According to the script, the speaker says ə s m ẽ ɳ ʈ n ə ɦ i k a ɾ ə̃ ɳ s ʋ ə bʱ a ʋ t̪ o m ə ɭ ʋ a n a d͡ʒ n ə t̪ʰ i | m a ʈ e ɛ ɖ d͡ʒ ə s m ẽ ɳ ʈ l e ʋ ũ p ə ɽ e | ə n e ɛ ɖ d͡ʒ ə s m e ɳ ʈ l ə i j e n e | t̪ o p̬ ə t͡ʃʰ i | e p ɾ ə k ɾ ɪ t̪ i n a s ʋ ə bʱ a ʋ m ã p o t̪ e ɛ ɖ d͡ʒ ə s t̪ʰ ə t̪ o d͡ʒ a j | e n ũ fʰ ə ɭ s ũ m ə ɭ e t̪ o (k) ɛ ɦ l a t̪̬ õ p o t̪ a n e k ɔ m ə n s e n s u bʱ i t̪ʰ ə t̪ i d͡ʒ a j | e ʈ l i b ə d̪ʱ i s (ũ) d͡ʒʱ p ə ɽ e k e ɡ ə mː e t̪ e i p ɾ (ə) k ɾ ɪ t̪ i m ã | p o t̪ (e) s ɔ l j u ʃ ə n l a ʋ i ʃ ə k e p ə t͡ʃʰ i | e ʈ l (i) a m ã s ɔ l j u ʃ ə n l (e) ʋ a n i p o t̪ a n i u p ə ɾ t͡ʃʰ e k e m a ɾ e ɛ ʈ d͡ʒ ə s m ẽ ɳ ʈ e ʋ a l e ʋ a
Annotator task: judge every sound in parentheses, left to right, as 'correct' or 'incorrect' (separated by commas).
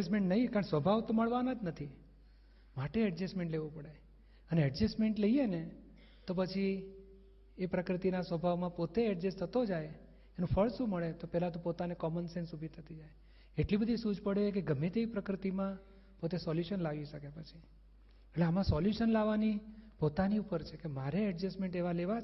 incorrect, incorrect, correct, correct, incorrect, incorrect